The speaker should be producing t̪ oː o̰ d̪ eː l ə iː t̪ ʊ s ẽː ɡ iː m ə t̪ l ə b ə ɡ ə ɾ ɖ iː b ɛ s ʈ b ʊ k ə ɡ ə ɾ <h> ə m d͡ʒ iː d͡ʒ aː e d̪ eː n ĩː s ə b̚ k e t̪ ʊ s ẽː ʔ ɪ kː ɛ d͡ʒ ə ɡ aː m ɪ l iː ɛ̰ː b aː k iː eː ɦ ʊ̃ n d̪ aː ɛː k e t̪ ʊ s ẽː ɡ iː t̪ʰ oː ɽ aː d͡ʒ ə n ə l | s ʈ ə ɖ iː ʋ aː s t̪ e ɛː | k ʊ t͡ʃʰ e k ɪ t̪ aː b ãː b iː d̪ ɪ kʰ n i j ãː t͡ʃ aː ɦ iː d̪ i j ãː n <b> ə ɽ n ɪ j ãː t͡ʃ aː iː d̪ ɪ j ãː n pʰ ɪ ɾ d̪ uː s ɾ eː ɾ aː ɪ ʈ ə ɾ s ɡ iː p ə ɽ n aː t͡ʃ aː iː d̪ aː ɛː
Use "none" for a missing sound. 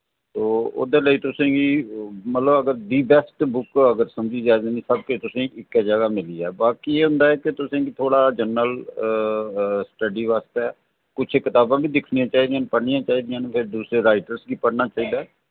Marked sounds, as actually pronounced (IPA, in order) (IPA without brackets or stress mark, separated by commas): s, p